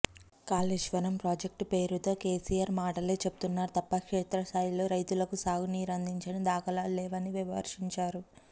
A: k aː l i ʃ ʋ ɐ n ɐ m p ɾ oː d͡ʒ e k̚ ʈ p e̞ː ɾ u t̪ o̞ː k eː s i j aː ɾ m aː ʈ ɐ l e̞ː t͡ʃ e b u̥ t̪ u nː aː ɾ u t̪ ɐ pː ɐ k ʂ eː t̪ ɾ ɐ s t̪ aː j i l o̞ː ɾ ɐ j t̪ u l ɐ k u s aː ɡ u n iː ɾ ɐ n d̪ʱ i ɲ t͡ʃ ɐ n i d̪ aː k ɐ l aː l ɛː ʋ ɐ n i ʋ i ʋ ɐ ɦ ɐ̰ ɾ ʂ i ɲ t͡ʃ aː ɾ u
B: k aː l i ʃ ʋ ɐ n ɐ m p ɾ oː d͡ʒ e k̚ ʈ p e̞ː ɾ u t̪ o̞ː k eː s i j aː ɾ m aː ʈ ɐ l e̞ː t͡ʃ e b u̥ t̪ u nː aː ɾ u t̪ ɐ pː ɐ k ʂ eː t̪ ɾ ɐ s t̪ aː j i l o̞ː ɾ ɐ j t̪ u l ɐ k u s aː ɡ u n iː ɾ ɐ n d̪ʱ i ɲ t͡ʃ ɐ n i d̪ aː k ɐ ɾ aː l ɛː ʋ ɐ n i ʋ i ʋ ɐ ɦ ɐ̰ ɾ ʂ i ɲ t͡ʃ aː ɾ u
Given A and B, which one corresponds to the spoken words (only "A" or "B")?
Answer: A